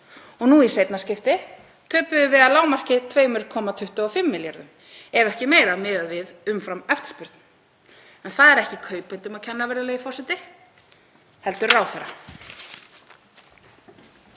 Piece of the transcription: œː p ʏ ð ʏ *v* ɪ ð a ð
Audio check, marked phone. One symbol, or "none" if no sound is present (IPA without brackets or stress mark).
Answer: v